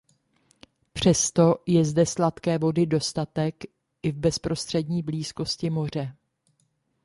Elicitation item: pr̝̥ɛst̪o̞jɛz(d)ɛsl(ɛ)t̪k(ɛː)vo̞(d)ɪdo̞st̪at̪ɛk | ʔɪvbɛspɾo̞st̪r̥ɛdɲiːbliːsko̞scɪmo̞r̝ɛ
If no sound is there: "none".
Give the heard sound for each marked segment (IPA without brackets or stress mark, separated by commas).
d, a, ɛː, d